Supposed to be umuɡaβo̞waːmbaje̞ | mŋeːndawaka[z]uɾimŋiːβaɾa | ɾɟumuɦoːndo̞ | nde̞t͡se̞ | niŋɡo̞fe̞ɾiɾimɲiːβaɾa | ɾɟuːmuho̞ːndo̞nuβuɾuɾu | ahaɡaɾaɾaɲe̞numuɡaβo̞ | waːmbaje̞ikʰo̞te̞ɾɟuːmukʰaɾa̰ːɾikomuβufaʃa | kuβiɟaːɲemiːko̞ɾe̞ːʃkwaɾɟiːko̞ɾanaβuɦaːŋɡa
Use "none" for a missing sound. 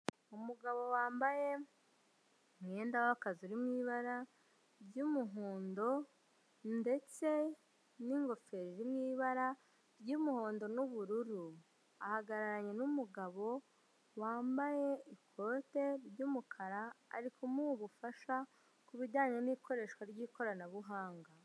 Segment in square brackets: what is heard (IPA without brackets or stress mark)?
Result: z